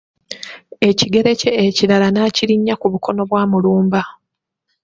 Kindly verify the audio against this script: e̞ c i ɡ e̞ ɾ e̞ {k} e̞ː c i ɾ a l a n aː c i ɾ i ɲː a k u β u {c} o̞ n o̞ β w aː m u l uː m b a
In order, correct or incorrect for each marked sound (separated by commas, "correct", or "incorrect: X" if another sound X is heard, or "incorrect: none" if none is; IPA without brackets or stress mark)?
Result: incorrect: c, incorrect: k